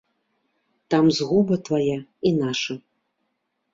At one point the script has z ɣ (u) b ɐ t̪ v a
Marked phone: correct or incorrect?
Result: correct